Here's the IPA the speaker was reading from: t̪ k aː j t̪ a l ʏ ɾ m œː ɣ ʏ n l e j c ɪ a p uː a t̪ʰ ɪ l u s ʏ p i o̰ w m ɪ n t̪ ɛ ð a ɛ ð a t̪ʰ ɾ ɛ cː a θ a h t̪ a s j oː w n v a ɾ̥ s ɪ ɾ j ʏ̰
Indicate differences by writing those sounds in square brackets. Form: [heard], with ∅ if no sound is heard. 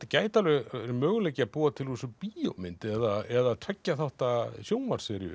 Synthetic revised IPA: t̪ [c] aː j t̪ a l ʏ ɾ m œː ɣ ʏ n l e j c ɪ a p uː a t̪ʰ ɪ l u s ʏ p i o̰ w m ɪ n t̪ ɛ ð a ɛ ð a t̪ʰ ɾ ɛ cː a θ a h t̪ a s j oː w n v a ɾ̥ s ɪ ɾ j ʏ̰